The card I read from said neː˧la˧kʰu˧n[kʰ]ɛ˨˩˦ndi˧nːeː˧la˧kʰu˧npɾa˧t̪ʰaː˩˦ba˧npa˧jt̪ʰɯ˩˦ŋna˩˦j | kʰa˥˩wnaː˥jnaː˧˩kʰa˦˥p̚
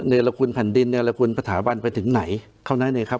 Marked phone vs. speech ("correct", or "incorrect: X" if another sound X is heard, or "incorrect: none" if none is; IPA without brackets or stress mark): incorrect: pʰ